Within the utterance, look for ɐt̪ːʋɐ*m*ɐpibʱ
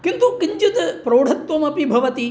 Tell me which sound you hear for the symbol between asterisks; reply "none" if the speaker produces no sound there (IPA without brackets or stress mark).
m